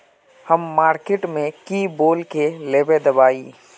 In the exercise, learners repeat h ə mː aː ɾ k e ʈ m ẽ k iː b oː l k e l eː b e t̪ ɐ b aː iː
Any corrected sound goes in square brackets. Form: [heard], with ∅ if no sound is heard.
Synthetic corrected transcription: h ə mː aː ɾ k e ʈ m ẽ k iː b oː l k e l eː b e [d̪] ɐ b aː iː